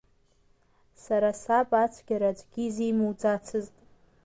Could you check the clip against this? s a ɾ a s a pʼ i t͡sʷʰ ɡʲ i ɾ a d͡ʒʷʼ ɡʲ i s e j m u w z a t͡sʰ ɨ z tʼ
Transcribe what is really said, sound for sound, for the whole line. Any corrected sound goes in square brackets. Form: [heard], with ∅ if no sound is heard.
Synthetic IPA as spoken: s a ɾ a s a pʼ [a] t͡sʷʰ ɡʲ [a] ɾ a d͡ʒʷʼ ɡʲ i [z] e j m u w [d͡z] a t͡sʰ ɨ z tʼ